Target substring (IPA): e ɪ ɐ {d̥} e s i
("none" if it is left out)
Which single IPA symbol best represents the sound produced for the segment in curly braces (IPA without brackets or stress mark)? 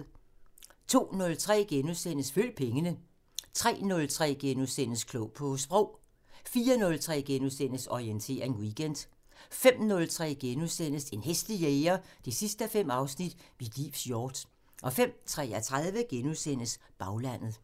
d̥